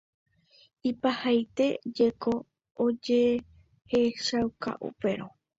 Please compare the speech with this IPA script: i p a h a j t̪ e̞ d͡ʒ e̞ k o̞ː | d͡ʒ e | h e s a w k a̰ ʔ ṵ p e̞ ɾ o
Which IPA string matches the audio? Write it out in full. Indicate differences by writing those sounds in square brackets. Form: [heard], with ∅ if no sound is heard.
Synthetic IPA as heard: i p a h a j t̪ e̞ d͡ʒ e̞ k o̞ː | d͡ʒ e | h e [ʃ] a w k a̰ ʔ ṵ p e̞ ɾ o